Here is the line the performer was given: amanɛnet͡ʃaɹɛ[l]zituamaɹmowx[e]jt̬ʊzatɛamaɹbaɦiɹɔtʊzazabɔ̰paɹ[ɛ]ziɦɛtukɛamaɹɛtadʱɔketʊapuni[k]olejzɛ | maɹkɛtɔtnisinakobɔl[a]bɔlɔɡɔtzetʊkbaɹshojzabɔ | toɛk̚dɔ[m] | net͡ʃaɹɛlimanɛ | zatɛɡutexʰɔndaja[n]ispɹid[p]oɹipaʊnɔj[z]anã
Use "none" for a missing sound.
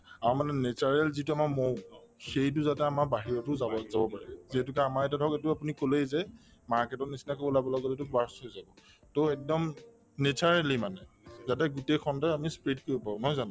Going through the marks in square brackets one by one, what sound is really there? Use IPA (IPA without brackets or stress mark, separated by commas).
l, e, ɛ, k, a, m, m, k, z